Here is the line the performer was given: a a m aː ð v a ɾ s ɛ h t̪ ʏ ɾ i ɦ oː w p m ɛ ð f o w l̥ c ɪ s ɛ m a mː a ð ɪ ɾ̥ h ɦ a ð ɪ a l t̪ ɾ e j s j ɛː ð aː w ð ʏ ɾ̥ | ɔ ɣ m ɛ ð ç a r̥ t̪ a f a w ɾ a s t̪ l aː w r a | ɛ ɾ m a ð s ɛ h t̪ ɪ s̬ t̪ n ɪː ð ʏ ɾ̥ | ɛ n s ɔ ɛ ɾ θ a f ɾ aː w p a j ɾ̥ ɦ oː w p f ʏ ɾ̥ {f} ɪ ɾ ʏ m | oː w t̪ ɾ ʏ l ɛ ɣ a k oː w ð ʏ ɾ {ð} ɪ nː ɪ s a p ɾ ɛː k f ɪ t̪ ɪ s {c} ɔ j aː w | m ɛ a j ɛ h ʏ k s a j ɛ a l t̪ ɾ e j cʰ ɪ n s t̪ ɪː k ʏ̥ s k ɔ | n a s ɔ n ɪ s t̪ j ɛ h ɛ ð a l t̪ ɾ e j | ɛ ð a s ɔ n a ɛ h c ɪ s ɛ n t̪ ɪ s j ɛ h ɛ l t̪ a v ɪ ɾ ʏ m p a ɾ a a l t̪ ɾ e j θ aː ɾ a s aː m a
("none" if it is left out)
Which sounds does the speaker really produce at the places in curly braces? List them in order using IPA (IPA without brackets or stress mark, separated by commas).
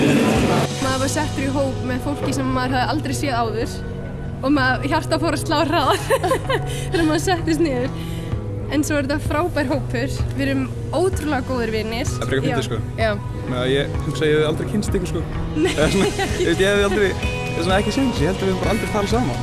v, v, k